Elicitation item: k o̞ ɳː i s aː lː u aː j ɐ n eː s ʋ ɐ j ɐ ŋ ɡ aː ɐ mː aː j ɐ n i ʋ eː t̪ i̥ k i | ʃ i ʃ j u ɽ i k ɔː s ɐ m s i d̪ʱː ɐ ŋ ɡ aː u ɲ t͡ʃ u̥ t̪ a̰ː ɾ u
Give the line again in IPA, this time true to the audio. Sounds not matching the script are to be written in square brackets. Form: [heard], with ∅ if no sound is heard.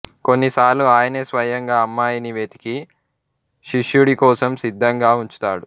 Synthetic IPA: k o̞ [nː] i s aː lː u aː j ɐ n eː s ʋ ɐ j ɐ ŋ ɡ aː ɐ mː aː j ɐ n i ʋ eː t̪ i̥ k i | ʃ i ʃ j u ɽ i k ɔː s ɐ m s i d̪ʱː ɐ ŋ ɡ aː u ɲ t͡ʃ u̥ t̪ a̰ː [ɽ] u